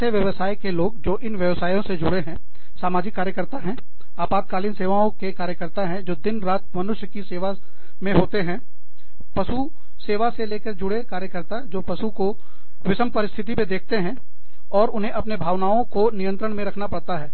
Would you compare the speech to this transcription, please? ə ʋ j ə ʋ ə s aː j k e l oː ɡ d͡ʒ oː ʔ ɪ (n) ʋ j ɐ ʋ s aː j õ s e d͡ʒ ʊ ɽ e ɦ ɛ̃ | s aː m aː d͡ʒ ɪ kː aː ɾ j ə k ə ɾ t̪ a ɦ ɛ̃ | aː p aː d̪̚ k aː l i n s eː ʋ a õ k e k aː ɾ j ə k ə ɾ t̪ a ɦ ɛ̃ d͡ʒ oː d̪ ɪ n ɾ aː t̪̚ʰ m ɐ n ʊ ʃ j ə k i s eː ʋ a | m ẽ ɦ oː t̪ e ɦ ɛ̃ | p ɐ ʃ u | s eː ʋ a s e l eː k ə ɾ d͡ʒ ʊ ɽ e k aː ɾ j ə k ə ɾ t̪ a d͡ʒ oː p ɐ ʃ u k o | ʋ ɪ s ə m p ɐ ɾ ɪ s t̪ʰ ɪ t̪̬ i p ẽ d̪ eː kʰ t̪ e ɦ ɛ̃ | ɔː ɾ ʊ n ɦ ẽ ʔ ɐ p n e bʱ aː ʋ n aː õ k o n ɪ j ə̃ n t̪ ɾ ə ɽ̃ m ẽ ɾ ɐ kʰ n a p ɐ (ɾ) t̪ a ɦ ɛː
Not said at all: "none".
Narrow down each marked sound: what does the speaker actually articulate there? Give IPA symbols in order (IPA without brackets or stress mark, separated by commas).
n, ɽ